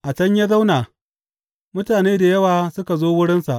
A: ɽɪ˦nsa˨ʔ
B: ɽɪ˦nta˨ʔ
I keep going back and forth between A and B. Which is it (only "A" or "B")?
A